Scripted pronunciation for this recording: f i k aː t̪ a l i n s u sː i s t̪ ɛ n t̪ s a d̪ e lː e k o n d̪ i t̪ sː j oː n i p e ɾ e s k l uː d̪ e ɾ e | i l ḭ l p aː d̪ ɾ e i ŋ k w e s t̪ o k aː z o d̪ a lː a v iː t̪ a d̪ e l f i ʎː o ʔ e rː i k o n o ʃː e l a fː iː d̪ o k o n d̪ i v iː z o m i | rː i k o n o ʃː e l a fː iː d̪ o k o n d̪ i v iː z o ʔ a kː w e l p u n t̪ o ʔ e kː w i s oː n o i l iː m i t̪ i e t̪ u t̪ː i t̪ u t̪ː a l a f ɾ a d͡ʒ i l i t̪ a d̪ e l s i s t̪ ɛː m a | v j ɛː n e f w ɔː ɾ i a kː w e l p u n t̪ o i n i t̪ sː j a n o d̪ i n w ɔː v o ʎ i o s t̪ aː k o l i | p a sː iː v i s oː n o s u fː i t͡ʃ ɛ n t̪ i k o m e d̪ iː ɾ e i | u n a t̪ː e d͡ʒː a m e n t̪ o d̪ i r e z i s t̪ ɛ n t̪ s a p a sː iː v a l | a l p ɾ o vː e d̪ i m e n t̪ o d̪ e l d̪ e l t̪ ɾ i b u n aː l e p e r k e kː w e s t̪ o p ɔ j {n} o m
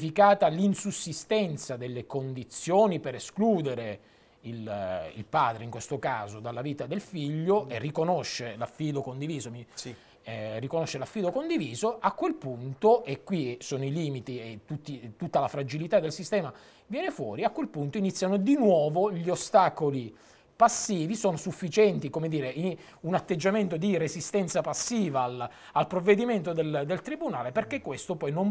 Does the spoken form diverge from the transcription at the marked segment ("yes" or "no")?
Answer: no